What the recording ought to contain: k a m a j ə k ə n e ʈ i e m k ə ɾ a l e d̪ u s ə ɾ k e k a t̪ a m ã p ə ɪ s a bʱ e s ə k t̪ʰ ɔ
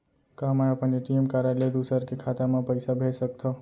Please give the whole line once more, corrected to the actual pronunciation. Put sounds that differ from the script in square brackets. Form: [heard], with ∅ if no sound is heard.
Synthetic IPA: k a m a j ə [p] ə n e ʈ i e m k [a] ɾ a l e d̪ u s ə ɾ k e [kʰ] a t̪ a m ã p ə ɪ s a bʱ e s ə k t̪ʰ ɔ